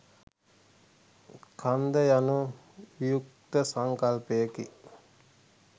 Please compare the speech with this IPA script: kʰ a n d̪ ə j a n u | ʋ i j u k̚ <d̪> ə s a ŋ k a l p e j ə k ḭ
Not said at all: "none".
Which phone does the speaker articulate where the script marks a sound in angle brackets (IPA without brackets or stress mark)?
t̪